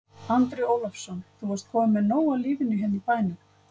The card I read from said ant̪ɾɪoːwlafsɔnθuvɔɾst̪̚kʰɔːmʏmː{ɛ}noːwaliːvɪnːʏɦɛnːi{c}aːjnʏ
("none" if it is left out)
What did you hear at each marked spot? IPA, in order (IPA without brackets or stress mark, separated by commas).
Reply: ɛ, p